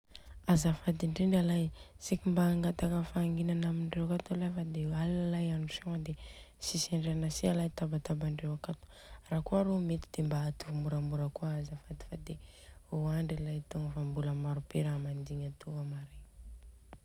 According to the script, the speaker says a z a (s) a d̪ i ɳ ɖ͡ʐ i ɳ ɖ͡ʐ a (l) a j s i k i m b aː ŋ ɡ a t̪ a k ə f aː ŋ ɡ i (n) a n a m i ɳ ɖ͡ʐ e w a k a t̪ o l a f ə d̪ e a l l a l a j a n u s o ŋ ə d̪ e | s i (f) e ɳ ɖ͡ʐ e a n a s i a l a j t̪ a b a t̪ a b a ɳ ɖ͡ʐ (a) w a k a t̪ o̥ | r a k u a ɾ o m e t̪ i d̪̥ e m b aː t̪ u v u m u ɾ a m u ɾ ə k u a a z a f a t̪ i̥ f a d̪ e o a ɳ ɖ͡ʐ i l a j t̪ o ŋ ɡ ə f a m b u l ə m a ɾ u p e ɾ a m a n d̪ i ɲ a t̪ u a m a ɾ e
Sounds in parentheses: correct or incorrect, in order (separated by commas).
incorrect, correct, correct, incorrect, incorrect